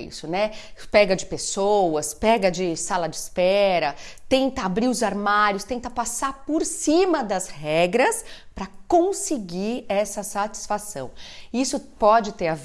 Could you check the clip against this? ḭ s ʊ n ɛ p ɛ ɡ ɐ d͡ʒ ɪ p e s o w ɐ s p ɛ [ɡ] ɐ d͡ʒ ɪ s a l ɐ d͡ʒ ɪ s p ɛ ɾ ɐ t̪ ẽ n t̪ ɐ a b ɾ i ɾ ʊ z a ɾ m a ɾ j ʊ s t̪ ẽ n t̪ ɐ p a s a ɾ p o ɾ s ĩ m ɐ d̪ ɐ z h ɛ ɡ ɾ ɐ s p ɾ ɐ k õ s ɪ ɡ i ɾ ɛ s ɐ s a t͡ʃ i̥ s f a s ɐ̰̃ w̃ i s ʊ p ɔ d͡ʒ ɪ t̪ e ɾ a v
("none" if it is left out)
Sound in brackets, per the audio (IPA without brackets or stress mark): ɡ